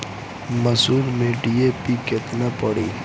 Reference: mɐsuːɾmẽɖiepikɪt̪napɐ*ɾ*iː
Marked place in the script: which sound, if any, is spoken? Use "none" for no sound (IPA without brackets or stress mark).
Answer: ɽ